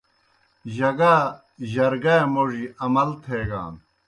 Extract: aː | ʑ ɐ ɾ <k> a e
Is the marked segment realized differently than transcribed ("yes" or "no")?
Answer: yes